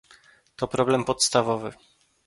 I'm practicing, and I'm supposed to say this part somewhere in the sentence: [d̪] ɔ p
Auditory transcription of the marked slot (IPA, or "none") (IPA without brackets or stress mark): t̪